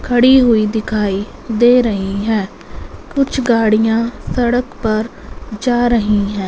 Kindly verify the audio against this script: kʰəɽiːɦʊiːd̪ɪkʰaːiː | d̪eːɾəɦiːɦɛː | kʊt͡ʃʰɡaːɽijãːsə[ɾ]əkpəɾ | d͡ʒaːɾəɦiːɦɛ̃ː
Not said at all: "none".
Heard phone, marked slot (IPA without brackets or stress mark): ɽ